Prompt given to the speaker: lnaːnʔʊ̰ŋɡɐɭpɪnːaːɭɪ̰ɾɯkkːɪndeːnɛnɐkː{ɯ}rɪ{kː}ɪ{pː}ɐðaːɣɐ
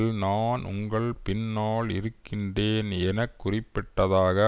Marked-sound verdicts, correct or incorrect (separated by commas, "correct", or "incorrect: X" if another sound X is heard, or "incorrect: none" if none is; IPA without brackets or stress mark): incorrect: ʊ, incorrect: pː, incorrect: ʈː